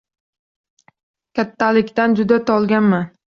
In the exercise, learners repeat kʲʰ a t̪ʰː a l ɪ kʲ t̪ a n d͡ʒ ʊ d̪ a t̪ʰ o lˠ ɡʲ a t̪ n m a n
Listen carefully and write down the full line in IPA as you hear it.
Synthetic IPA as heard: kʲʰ a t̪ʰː a l ɪ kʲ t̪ a n d͡ʒ ʊ d̪ a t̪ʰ ɒ lˠ ɡʲ a n m a n